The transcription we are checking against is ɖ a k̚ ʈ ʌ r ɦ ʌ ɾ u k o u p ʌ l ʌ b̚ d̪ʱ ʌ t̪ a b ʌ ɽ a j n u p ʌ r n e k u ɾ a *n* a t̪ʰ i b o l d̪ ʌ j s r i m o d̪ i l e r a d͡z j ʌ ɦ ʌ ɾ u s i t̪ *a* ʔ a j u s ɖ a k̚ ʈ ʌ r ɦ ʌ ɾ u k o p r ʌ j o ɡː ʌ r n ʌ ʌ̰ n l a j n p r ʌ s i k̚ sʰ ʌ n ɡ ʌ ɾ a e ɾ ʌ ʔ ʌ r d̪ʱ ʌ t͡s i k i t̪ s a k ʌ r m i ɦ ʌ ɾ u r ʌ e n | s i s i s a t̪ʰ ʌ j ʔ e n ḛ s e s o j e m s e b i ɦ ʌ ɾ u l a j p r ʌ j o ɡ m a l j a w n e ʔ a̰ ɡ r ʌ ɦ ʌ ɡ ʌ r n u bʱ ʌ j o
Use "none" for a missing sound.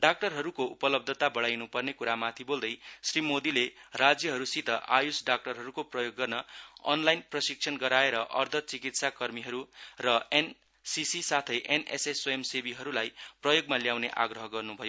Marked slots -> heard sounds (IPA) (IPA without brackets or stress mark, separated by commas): m, ʌ